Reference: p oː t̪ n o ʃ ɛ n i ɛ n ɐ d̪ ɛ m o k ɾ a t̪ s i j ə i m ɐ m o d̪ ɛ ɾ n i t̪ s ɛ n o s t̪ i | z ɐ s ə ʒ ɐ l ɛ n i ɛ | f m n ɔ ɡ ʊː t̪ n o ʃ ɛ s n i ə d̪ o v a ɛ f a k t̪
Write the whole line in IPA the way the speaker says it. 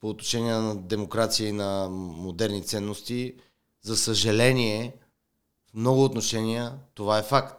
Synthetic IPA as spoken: p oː t̪ n o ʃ ɛ n i ɛ n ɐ d̪ ɛ m o k ɾ a t̪ s i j ə i n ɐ m o d̪ ɛ ɾ n i t̪ s ɛ nː o s t̪ i | z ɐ s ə ʒ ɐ l ɛ n i ɛ | f m n ɔ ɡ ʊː t̪ n o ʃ ɛ n i ə t̪ o v a ɛ f a k t̪